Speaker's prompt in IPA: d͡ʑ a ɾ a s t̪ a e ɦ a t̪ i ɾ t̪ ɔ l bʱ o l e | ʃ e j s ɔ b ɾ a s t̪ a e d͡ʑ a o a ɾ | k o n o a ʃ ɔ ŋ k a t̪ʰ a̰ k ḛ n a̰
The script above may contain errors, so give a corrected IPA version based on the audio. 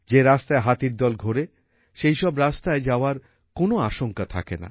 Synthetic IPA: d͡ʑ e ɾ a s t̪ a e ɦ a t̪ i ɾ d̪ ɔ l ɡʱ o ɾ e | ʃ e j ʃ ɔ b ɾ a s t̪ a e d͡ʑ a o a ɾ | k o n o a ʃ o ŋ k a t̪ʰ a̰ k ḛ n a̰